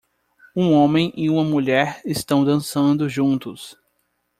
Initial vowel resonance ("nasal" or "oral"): nasal